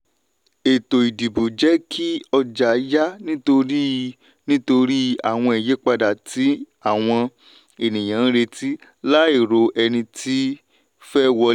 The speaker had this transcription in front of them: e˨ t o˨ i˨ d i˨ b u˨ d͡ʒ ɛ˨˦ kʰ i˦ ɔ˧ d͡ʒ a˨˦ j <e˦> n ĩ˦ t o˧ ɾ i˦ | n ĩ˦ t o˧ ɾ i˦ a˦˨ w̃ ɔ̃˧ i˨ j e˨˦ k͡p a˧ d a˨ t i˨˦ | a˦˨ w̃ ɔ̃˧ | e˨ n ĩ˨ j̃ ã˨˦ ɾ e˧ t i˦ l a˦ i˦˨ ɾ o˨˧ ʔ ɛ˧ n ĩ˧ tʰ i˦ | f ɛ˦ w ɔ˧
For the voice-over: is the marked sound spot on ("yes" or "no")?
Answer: no